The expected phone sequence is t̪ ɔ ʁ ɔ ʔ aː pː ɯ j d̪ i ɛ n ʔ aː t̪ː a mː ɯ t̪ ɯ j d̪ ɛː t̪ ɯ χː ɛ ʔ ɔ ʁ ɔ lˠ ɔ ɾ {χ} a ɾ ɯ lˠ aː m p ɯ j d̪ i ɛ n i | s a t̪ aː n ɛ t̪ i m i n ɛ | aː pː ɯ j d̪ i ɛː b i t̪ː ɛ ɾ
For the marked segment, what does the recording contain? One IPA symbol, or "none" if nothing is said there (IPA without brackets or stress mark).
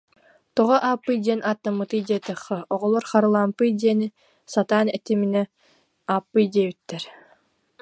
χ